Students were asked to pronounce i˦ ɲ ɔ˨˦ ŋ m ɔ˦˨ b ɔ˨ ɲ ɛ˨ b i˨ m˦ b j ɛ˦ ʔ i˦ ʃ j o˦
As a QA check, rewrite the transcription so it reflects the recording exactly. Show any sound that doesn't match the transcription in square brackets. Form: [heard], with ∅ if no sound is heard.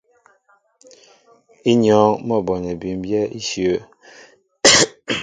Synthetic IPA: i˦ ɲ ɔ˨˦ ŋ m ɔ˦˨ b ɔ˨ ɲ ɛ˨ b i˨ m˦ b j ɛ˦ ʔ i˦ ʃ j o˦